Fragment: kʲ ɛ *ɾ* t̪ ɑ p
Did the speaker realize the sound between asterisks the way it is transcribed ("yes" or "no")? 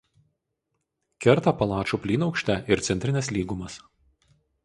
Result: yes